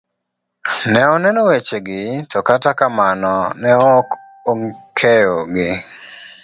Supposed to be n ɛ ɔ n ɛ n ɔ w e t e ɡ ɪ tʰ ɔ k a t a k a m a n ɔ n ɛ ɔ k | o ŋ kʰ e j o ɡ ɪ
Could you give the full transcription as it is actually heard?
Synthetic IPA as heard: n ɛ ɔ n ɛ n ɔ w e t͡ʃ e ɡ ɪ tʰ ɔ k a t a k a m a n ɔ n ɛ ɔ k | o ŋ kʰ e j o ɡ ɪ